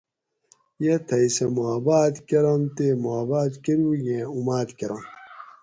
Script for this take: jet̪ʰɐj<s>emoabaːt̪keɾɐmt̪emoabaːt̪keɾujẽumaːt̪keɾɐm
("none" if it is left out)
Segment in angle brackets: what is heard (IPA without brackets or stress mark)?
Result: s